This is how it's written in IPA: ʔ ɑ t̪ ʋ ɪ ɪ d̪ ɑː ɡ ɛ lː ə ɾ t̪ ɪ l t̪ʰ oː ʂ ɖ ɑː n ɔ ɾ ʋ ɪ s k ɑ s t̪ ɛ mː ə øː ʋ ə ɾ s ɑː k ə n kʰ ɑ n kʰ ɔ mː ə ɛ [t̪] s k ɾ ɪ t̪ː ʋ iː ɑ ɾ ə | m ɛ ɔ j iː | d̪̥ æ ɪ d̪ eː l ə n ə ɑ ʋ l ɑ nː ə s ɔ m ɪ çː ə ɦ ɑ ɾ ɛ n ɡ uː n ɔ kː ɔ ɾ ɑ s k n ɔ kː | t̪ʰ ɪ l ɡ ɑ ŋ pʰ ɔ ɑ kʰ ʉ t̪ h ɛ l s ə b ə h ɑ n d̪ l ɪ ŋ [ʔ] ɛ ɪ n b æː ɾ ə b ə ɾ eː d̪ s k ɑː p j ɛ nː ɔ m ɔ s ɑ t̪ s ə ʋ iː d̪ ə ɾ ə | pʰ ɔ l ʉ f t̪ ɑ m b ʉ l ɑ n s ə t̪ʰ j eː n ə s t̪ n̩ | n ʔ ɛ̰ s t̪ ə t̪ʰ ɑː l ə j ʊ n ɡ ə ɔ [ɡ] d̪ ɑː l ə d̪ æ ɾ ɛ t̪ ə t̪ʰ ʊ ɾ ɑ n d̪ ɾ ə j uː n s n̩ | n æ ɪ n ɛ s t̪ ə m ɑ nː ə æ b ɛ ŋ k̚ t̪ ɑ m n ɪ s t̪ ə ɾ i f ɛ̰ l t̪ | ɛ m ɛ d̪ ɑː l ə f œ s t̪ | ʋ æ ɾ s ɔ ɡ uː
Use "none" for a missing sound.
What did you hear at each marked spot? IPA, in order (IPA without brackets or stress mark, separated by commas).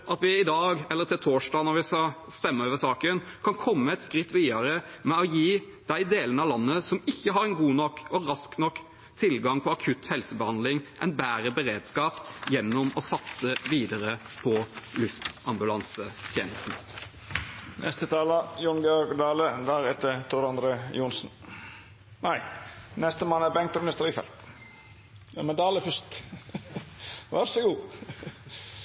t̪, ʔ, ɡ